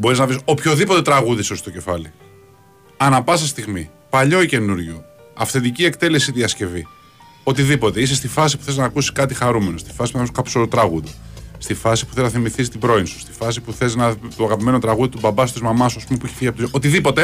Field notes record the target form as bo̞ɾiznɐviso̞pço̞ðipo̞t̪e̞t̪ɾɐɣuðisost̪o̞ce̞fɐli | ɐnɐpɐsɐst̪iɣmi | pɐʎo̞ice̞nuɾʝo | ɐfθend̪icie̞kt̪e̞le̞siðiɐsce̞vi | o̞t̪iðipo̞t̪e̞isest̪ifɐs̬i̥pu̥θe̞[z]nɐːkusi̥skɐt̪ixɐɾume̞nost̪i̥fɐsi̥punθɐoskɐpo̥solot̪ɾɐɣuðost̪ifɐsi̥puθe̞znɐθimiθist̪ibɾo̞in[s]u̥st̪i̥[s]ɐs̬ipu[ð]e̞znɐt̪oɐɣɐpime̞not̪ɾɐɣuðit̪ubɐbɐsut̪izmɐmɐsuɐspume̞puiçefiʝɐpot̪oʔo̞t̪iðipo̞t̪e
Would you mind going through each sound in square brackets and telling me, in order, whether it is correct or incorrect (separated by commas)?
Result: correct, correct, incorrect, incorrect